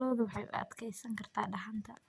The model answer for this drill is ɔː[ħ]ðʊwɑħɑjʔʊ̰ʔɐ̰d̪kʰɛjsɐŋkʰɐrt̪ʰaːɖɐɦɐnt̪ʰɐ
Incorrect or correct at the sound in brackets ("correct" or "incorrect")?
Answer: incorrect